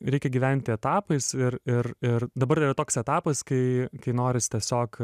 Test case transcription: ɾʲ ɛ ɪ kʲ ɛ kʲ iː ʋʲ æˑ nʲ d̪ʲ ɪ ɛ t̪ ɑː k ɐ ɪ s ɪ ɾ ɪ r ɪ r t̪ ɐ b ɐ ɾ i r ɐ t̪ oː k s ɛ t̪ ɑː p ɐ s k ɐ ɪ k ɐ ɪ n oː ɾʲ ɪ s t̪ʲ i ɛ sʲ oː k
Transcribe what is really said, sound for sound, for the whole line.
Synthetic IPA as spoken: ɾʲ ɛ ɪ kʲ ɛ ɡʲ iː ʋʲ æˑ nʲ t̪ʲ ɪ ɛ t̪ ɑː p ɐ ɪ s ɪ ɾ ɪ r ɪ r d̪ ɐ b ɐ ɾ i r ɐ t̪ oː k s ɛ t̪ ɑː p ɐ s k ɐ ɪ k ɐ ɪ n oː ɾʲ ɪ s t̪ʲ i ɛ sʲ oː k